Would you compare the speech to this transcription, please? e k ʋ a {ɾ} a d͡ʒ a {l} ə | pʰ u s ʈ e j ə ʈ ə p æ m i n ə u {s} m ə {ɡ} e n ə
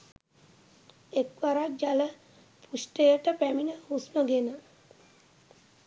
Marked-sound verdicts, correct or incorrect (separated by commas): correct, correct, correct, correct